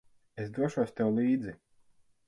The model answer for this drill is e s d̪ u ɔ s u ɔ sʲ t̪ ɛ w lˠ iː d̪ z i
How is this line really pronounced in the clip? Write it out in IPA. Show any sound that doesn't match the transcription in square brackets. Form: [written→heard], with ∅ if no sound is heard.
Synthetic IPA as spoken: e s d̪ u ɔ [s→ʃ] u ɔ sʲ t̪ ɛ w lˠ iː d̪ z i